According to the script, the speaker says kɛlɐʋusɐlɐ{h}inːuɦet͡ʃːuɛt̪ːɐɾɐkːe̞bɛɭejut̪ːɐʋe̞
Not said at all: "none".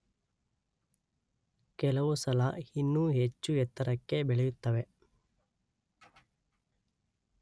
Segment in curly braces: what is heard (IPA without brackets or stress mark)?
h